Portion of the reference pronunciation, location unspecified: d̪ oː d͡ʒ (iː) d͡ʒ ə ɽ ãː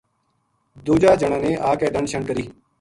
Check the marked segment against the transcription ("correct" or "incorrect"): incorrect